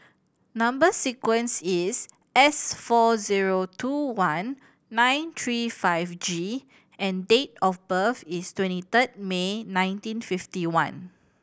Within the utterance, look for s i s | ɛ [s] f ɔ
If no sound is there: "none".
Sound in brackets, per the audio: s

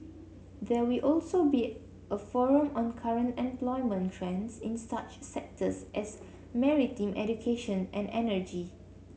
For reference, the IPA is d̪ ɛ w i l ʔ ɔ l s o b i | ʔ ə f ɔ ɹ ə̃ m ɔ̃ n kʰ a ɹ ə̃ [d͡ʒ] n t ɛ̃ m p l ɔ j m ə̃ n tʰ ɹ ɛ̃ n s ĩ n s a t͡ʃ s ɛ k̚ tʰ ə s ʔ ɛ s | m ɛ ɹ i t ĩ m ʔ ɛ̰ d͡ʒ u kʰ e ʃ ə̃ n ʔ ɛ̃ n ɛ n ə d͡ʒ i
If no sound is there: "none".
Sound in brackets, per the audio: none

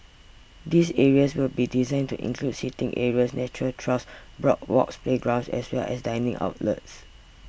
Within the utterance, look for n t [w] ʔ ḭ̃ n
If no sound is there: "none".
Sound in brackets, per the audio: u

